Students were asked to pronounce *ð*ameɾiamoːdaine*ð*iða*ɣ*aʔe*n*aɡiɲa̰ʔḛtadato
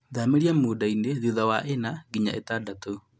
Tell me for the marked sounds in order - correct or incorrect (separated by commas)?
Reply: correct, correct, incorrect, correct